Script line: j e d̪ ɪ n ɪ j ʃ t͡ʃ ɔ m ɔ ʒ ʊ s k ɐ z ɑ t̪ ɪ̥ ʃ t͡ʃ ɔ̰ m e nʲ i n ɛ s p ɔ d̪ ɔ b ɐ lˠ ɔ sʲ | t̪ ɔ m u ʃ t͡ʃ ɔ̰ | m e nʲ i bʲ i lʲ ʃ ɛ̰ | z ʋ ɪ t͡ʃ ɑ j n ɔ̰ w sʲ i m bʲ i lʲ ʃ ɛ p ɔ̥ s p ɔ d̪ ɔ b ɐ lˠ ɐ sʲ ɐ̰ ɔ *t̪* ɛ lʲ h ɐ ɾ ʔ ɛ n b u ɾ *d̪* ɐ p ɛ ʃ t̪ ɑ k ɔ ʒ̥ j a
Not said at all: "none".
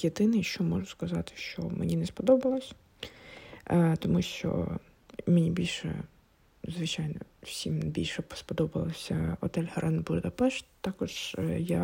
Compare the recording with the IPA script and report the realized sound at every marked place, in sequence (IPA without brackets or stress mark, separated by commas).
t̪, d̪